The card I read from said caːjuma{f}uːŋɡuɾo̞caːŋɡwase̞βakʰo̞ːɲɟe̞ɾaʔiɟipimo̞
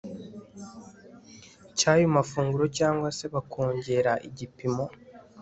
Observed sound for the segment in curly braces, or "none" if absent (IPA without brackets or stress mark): f